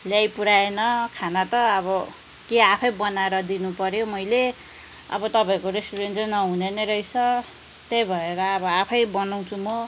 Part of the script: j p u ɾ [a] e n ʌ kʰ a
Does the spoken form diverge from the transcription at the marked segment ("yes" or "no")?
no